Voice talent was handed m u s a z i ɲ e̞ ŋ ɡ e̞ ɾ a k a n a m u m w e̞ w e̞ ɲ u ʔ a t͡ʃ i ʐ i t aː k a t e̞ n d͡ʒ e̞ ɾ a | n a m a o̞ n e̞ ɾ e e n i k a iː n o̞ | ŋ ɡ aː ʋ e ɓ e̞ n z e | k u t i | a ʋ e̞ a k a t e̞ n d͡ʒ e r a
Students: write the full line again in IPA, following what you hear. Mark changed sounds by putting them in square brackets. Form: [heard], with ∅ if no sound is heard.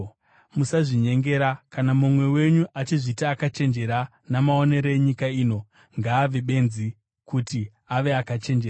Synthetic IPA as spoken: m u s a [ʐ] i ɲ e̞ ŋ ɡ e̞ ɾ a k a n a m u m w e̞ w e̞ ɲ u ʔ a t͡ʃ i ʐ i t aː k a [t͡ʃ] e̞ n d͡ʒ e̞ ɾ a | n a m a o̞ n e̞ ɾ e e [ɲ] i k a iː n o̞ | ŋ ɡ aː ʋ e ɓ e̞ n z [i] | k u t i | a ʋ e̞ a k a [t͡ʃ] e̞ n d͡ʒ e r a